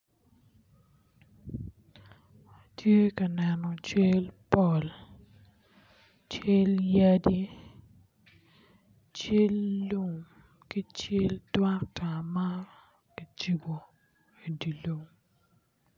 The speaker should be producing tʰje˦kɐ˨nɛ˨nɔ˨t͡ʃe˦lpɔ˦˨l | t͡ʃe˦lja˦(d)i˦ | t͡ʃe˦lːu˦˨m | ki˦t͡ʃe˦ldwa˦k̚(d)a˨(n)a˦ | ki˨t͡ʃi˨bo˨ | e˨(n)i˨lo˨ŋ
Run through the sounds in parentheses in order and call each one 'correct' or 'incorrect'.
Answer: correct, incorrect, incorrect, incorrect

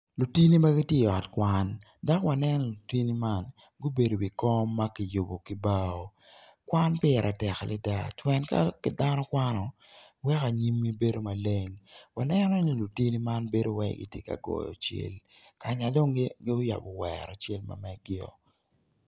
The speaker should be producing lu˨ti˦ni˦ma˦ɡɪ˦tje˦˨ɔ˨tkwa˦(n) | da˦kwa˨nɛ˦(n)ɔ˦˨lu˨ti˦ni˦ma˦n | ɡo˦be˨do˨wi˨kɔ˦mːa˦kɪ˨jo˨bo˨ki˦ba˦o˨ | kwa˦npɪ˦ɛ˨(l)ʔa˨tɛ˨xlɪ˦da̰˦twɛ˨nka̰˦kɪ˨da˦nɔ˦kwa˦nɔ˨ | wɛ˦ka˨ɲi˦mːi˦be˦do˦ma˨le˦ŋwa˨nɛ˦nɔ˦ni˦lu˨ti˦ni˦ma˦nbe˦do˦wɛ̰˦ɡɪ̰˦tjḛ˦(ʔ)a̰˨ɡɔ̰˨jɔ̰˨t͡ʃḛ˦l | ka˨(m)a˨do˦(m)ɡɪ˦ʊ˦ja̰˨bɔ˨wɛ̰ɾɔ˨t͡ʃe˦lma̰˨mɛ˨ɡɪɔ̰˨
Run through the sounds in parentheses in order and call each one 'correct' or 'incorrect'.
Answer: correct, correct, incorrect, incorrect, incorrect, incorrect

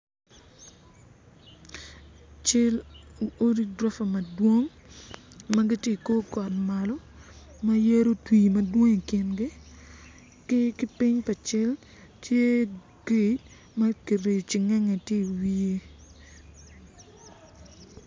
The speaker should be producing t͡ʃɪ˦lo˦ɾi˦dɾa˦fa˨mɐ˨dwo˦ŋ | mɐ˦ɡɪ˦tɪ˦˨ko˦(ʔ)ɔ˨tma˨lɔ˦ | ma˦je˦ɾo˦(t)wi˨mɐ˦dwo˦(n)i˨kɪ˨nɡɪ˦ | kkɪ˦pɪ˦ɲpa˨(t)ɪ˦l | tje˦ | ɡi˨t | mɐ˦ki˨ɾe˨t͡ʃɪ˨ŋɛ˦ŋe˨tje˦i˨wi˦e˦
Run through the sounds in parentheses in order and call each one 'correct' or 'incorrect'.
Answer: incorrect, correct, incorrect, incorrect

